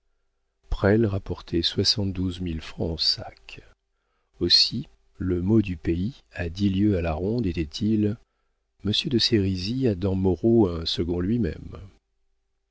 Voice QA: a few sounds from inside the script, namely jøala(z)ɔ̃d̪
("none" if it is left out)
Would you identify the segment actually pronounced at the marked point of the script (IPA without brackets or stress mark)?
ʁ